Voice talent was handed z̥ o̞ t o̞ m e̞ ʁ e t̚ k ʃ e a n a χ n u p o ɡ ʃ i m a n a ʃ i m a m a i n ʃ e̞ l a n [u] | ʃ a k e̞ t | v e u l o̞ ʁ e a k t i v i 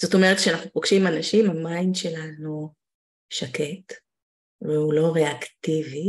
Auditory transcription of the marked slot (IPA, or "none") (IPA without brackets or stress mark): u